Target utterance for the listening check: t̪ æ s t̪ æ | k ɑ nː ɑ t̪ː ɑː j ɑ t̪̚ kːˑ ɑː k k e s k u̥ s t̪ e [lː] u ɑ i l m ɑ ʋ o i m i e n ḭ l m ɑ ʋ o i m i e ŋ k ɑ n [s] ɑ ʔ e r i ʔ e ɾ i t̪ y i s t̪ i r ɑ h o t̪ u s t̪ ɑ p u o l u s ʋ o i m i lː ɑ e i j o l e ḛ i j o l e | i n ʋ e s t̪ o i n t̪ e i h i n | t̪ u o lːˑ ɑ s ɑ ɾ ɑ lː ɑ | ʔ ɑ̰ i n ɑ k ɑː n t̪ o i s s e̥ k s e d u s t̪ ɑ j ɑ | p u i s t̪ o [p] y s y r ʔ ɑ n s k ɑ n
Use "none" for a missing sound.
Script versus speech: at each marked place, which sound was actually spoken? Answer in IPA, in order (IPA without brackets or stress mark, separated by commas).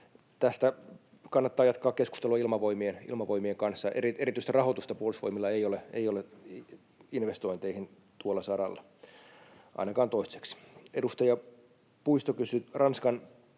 l, sː, k